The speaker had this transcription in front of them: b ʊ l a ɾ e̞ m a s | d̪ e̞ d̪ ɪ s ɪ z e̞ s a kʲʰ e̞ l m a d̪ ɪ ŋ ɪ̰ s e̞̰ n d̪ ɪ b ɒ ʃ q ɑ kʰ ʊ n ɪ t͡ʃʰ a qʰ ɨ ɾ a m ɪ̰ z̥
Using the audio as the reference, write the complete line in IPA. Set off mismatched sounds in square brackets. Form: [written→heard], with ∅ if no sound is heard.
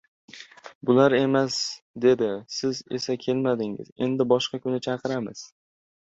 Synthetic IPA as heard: b ʊ l a ɾ e̞ m a s | d̪ e̞ d̪ ɪ s ɪ z e̞ s a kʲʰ e̞ l m a d̪ ɪ ŋ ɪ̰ [s→z] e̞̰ n d̪ ɪ b ɒ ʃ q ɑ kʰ ʊ n ɪ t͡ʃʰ [a→ɑ] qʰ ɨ ɾ a m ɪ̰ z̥